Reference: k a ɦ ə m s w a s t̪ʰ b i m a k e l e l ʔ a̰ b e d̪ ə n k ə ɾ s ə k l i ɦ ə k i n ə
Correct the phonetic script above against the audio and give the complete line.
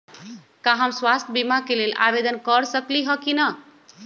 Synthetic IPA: k a ɦ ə m s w a s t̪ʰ b i m a k e l e l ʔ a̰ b e d̪ ə n k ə ɾ s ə k l i ɦ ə k i n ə